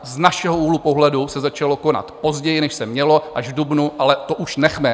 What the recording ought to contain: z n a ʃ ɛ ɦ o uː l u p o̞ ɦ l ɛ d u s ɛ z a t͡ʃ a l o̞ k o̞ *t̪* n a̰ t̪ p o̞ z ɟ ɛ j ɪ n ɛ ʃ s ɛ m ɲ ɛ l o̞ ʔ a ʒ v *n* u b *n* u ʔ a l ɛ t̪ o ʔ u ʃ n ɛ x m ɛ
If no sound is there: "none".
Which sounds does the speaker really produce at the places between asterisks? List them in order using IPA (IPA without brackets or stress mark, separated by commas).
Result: none, d, n